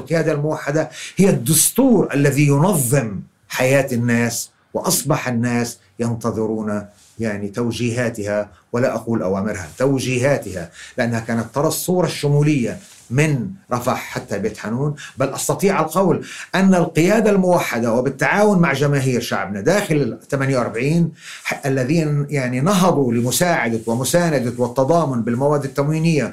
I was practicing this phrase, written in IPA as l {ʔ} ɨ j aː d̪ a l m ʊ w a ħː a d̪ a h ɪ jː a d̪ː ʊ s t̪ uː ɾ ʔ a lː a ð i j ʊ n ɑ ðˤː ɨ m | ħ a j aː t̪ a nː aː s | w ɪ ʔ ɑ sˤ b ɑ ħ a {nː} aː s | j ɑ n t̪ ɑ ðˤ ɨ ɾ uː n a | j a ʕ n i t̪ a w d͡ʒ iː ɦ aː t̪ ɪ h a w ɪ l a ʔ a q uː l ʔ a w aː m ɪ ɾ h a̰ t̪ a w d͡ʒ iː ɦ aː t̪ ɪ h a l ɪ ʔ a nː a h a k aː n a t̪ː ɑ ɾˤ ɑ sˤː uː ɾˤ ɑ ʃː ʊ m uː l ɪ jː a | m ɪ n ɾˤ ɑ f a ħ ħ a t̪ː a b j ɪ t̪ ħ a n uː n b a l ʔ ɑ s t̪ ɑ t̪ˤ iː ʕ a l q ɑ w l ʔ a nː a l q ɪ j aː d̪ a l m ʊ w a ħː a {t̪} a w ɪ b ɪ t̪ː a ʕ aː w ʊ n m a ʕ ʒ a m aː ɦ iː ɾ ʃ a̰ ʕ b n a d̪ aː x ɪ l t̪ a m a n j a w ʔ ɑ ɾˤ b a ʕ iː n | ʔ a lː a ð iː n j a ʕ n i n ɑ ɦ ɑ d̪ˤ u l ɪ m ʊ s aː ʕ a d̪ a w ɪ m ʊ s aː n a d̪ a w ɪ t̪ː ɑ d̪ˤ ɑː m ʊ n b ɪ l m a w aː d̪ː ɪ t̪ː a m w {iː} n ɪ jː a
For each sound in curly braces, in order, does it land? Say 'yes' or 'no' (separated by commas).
no, yes, no, yes